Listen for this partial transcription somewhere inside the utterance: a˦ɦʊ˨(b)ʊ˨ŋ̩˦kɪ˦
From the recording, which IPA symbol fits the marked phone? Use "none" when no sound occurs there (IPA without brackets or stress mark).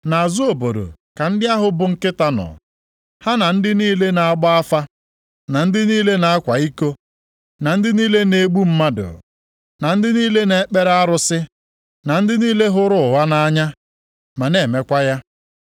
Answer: b